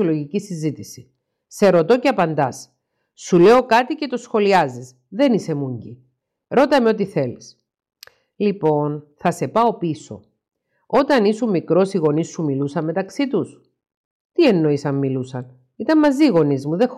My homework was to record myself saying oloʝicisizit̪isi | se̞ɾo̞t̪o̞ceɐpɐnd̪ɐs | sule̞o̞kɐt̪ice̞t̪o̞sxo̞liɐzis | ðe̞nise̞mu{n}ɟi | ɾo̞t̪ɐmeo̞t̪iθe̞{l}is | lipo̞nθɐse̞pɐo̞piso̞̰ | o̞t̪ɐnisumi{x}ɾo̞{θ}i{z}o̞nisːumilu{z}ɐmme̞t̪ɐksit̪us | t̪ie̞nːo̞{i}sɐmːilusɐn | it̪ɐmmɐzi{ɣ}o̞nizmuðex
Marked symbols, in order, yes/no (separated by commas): no, yes, no, no, no, no, yes, yes